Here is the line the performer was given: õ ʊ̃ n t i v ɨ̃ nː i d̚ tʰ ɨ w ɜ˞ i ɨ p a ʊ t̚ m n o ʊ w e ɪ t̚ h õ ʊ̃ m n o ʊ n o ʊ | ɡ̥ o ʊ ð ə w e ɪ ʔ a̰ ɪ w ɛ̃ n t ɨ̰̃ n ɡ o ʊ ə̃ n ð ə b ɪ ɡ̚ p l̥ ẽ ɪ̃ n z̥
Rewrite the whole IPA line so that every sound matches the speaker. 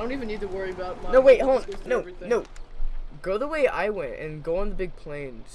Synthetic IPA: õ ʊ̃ n t i v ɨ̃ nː i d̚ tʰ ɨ w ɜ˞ i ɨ b a ʊ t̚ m n o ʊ w e ɪ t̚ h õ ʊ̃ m n o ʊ n o ʊ | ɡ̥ o ʊ ð ə w e ɪ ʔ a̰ ɪ w ɛ̃ n t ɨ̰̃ n ɡ o ʊ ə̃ n ð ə b ɪ ɡ̚ pʰ l̥ ẽ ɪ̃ n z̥